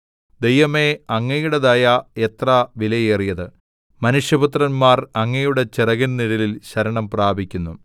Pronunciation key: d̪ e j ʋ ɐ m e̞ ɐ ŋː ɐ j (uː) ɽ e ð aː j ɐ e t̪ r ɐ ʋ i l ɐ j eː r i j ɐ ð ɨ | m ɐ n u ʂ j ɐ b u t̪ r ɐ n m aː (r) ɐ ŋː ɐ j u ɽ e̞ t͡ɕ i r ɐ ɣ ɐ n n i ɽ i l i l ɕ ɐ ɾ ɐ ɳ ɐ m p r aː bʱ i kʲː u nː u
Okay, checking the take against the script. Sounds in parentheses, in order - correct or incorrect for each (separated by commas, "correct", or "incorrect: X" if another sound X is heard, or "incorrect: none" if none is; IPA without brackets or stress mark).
incorrect: u, correct